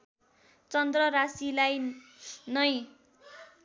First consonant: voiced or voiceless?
voiceless